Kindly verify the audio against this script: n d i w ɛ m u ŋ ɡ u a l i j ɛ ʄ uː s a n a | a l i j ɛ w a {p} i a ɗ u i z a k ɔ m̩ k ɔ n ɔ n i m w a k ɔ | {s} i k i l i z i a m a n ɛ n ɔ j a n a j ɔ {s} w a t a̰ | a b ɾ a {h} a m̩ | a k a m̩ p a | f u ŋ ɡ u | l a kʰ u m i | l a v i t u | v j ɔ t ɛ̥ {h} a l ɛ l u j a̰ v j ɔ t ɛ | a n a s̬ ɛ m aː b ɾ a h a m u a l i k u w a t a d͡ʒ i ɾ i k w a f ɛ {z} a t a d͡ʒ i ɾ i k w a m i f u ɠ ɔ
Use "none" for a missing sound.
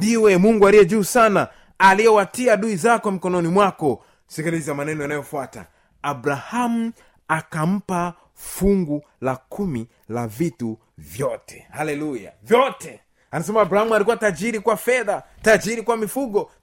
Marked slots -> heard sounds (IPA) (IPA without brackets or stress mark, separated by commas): t, s, f, h, h, ð